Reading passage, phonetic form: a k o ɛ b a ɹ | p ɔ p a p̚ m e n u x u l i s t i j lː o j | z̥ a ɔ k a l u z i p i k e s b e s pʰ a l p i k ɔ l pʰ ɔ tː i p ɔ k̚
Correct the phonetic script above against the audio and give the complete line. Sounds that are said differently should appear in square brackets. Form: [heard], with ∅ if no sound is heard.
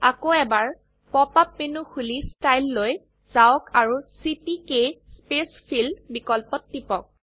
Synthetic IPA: a k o ɛ b a ɹ | p ɔ p a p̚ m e n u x u l i s t [a] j lː o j | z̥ a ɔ k a [ɹ] u [s] i p i k e s [p] e s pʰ [i] l [b] i k ɔ l [p] ɔ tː i p ɔ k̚

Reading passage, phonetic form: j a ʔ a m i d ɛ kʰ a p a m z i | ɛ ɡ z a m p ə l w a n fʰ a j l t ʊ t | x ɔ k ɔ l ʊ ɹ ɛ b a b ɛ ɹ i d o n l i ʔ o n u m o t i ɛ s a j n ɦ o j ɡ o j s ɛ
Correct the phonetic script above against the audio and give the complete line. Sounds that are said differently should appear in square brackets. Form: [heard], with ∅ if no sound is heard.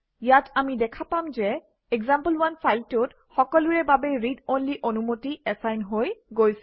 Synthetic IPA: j a [t] a m i d ɛ kʰ a p a m z [ɛ] | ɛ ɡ z a m p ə l w a n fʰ a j l t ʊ t | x ɔ k ɔ l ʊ ɹ ɛ b a b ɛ ɹ i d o n l i ʔ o n u m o t i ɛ s a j n ɦ o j ɡ o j s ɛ

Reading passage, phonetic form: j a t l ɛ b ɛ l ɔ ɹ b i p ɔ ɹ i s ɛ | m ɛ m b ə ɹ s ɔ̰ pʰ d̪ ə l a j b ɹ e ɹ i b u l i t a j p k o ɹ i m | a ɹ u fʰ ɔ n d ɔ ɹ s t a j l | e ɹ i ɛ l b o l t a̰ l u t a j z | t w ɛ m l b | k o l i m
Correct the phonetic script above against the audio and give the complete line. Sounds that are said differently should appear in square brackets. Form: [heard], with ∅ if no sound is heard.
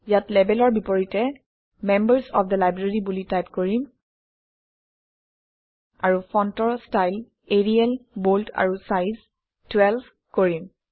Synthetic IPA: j a t l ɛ b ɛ l ɔ ɹ b i p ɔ ɹ i [t] ɛ | m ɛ m b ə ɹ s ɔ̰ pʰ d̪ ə l a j b ɹ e ɹ i b u l i t a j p k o ɹ i m | a ɹ u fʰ ɔ n [t] ɔ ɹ s t a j l | e ɹ i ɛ l b o l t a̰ [ɹ] u [s] a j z | t w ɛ [∅] l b | k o [ɹ] i m

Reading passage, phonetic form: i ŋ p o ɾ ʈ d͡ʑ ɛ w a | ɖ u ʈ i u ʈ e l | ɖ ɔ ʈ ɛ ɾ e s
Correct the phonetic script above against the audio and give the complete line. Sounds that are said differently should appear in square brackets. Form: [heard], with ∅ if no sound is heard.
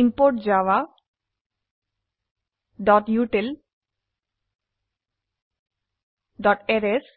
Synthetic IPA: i [m] p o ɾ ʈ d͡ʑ [a] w a | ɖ [ɔ] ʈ [j] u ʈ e l | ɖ ɔ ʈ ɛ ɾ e s

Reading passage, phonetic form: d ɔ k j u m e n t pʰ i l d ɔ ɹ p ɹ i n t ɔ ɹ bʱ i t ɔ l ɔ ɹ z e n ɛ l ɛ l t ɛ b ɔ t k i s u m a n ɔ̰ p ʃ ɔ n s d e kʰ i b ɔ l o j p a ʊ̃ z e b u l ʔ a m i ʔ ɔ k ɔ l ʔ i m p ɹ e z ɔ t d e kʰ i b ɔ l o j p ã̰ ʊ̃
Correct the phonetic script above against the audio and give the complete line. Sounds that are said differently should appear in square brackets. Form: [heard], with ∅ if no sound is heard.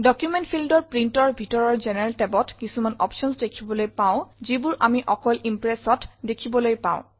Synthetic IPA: d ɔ k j u m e n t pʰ i l d ɔ ɹ p ɹ i n t ɔ ɹ bʱ i t ɔ [ɹ] ɔ ɹ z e n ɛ [ɹ] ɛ l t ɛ b ɔ t k i s u m a n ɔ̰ p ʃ ɔ n s d e kʰ i b ɔ l o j p a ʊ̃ z [i] b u [ɹ] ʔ a m i ʔ ɔ k ɔ l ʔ i m p ɹ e [s] ɔ t d e kʰ i b ɔ l o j p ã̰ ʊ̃

